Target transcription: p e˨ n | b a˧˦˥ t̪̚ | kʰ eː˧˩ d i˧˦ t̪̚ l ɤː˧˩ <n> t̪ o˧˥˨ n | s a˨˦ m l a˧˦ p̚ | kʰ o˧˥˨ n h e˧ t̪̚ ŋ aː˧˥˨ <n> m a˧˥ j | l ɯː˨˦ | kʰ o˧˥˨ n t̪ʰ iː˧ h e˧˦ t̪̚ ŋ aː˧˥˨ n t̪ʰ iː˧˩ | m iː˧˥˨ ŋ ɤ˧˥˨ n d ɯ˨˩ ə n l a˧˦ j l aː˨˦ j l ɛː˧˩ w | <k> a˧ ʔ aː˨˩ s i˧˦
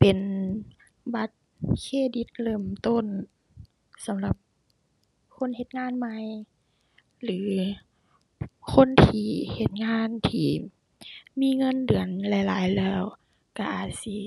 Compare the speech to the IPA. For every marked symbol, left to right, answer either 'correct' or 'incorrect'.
incorrect: m, correct, correct

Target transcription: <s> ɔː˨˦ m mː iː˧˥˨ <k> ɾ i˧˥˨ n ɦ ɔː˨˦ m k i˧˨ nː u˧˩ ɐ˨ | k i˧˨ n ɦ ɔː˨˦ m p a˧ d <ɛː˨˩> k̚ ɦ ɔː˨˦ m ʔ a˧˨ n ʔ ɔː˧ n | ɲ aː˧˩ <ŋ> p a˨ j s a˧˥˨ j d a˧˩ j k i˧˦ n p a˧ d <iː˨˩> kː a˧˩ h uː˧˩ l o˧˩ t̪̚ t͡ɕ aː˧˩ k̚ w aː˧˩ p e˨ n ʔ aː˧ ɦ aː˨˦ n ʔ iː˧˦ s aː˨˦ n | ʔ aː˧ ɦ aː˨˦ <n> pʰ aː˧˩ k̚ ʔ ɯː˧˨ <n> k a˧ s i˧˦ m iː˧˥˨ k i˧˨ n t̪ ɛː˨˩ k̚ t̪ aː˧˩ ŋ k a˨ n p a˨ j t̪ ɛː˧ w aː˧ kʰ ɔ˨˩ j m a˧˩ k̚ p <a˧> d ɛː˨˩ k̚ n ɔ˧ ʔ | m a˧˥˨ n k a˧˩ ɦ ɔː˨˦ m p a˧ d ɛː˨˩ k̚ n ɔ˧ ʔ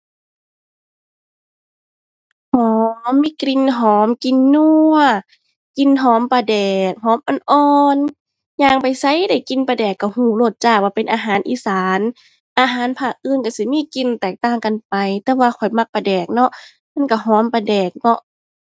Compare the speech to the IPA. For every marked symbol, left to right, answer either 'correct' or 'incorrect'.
incorrect: h, correct, correct, correct, incorrect: ɛː˨˩, correct, correct, correct

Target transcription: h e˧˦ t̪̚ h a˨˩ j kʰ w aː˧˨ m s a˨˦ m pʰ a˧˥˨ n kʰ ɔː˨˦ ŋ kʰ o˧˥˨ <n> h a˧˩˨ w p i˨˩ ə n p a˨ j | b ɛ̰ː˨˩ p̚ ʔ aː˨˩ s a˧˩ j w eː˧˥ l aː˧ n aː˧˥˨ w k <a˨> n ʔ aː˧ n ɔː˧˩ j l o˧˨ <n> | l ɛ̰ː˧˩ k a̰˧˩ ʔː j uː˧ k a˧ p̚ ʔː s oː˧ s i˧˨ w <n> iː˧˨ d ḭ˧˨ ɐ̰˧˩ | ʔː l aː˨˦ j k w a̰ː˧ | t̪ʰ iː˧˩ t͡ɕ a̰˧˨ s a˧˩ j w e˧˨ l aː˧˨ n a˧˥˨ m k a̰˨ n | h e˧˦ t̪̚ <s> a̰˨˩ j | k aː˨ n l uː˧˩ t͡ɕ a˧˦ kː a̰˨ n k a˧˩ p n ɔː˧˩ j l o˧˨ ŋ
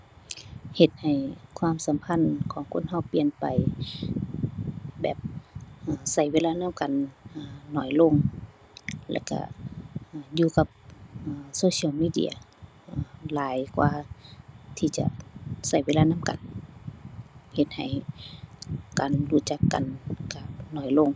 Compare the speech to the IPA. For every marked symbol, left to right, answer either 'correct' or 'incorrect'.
correct, correct, incorrect: ŋ, incorrect: m, incorrect: h

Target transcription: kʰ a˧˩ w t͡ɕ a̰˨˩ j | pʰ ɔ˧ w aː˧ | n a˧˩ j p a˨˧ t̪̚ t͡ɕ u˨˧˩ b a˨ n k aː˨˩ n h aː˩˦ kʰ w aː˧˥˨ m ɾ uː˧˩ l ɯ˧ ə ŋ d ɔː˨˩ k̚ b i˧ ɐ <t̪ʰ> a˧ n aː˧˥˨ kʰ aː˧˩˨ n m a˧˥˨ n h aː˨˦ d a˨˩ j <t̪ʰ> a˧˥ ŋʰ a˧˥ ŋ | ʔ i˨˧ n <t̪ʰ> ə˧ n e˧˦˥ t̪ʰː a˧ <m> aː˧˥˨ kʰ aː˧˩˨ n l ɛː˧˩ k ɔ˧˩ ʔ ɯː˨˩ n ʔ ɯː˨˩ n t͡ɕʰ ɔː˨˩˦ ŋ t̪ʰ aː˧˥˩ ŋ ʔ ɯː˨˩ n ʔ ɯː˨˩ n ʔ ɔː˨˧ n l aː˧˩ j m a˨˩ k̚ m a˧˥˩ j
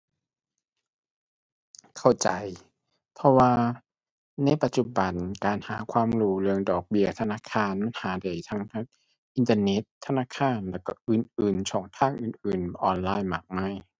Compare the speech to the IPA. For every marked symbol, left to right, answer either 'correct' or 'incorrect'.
correct, correct, incorrect: t̪, incorrect: n

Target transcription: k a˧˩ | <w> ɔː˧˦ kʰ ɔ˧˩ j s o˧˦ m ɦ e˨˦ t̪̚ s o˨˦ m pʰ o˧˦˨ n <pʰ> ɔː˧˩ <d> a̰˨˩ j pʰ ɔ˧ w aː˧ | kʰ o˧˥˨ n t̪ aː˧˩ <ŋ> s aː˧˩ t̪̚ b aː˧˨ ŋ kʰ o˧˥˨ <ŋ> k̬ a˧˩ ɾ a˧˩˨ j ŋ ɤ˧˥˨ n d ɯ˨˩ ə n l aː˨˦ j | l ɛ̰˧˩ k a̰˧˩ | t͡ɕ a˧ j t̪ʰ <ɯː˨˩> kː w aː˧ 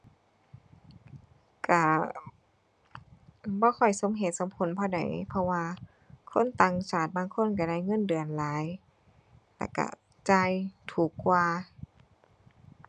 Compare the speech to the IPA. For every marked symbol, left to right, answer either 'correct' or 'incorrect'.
incorrect: b, correct, correct, correct, incorrect: n, incorrect: uː˨˩

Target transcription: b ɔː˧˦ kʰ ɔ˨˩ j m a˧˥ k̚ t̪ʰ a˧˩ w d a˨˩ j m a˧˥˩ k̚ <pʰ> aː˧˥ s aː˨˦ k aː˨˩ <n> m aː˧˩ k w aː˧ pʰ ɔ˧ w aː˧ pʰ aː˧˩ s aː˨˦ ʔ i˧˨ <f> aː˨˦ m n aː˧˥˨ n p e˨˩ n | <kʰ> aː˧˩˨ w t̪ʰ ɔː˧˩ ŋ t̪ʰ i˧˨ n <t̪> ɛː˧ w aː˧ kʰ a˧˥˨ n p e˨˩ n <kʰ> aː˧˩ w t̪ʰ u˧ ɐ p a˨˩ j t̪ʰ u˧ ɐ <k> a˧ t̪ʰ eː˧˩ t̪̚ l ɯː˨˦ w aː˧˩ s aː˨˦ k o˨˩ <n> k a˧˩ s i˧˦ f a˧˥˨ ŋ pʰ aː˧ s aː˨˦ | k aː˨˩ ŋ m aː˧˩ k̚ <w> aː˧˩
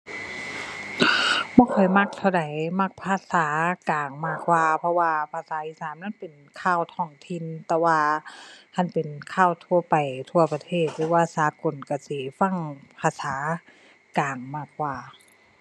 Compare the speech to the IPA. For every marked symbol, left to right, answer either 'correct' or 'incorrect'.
correct, incorrect: ŋ, incorrect: s, correct, correct, correct, incorrect: p, correct, correct

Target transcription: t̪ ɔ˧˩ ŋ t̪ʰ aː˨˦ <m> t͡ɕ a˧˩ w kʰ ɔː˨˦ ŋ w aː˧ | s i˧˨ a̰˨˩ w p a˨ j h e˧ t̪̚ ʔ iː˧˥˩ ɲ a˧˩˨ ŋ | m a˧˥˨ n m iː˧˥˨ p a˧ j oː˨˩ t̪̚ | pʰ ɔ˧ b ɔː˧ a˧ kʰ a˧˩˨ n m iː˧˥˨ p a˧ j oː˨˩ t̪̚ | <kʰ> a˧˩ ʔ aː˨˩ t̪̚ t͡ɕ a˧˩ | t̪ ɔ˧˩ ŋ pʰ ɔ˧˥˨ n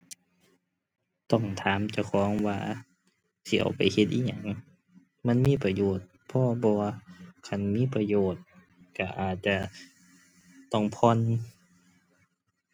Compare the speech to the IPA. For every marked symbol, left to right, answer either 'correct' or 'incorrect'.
correct, incorrect: k

